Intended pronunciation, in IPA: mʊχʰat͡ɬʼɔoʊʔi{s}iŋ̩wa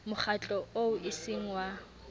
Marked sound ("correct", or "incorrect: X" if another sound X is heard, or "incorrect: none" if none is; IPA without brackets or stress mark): correct